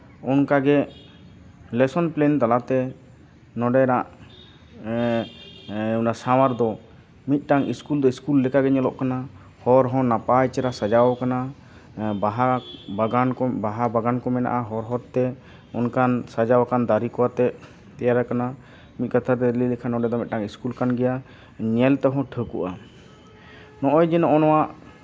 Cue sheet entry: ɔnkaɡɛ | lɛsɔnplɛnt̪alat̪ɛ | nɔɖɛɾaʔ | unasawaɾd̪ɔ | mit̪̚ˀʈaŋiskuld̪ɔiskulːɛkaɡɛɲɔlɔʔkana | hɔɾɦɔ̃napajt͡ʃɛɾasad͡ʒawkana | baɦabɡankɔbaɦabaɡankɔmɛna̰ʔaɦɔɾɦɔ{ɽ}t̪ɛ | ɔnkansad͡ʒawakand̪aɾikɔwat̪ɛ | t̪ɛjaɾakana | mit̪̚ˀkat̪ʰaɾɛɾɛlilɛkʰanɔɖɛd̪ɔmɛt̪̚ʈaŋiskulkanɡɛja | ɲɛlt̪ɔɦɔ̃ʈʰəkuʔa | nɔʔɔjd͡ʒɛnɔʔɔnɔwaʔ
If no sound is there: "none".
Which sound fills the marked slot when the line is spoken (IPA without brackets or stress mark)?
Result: ɾ